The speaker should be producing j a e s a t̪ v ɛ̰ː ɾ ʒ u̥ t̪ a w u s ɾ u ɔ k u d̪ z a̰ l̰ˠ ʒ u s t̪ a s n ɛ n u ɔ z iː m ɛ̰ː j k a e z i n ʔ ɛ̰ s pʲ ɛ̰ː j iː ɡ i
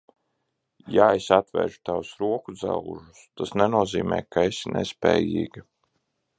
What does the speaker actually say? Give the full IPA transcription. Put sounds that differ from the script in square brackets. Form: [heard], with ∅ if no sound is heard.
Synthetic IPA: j a e s a t̪ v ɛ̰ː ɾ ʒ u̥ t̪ a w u s ɾ u ɔ k u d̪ z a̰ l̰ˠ ʒ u s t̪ a s n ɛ n u ɔ z iː m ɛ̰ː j k a e [s] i n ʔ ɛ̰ s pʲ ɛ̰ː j iː ɡ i